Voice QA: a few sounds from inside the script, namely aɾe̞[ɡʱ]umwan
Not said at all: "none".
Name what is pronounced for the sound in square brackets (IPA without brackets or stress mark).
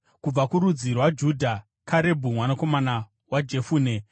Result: bʱ